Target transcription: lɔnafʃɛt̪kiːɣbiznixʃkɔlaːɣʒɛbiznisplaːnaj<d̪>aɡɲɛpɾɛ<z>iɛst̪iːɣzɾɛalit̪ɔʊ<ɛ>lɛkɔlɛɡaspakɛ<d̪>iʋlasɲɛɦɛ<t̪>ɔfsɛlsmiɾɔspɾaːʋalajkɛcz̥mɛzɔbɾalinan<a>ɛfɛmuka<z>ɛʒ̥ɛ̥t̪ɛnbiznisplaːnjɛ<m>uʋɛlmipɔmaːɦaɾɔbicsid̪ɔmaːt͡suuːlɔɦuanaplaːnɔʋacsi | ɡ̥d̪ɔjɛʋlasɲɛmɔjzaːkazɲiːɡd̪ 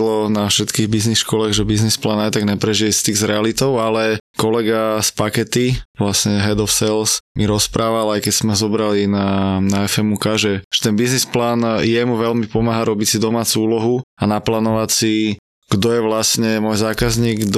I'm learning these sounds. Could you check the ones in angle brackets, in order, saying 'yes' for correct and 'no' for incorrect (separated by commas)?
no, no, no, no, no, yes, no, yes